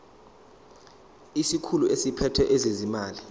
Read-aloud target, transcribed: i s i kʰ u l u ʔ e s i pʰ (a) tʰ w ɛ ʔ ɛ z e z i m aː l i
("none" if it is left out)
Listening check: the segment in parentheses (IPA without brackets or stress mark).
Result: ɛ